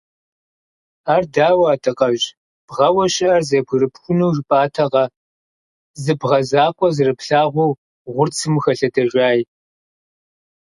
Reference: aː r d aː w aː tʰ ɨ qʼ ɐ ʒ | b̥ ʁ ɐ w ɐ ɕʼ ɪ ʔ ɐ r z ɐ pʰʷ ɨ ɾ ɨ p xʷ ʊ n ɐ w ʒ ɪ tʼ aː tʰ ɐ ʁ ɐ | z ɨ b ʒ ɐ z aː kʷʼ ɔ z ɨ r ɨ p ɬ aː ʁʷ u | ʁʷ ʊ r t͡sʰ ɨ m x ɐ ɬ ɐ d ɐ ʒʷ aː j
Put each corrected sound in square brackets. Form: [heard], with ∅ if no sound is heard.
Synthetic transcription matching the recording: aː r d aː w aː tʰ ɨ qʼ ɐ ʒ | b̥ ʁ ɐ w ɐ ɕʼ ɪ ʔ ɐ r z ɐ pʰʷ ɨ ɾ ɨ p xʷ ʊ n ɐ w ʒ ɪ [pʼ] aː tʰ ɐ ʁ ɐ | z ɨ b [ʁ] ɐ z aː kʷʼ ɔ z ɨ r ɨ p ɬ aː ʁʷ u | ʁʷ ʊ r t͡sʰ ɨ m x ɐ ɬ ɐ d ɐ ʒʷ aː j